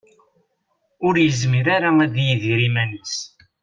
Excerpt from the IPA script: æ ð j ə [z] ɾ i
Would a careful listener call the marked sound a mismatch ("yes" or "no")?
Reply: yes